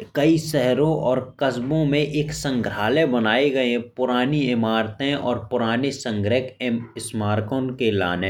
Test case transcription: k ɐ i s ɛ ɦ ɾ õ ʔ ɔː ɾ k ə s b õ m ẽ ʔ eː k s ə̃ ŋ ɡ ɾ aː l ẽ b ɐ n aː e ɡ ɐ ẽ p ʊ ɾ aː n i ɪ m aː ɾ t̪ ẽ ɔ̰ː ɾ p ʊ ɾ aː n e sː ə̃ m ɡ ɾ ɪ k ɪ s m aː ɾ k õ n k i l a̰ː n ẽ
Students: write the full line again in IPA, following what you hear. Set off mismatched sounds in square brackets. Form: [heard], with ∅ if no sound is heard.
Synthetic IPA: k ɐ i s ɛ ɦ ɾ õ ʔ ɔː ɾ k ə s b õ m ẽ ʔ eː k s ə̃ ŋ ɡ ɾ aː l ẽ b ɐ n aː e ɡ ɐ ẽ p ʊ ɾ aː n i ɪ m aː ɾ t̪ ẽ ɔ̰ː ɾ p ʊ ɾ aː n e [s] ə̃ [ŋ] ɡ ɾ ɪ k ɪ s m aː ɾ k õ n k [e] l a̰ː n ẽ